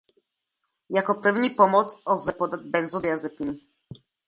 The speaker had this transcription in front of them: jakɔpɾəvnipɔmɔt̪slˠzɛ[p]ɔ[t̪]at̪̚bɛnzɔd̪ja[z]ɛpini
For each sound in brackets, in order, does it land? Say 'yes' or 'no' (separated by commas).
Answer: yes, no, yes